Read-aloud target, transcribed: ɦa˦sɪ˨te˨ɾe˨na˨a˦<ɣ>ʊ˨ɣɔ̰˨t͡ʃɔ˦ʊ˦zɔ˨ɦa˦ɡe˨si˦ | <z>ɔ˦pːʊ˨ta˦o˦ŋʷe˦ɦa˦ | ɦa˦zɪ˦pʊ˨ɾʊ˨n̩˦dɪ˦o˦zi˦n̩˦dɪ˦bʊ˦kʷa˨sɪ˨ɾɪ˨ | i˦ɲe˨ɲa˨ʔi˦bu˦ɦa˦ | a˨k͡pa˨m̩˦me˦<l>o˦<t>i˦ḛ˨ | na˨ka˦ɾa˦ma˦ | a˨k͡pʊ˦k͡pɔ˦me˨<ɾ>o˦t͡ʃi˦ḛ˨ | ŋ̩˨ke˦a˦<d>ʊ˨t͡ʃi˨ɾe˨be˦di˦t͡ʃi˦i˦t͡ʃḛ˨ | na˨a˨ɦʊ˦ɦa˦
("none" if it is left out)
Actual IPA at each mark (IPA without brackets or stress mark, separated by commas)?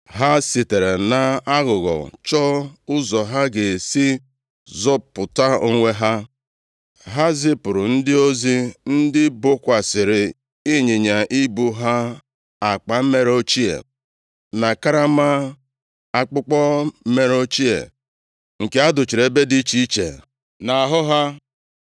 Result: ɣ, z, ɾ, t͡ʃ, ɾ, d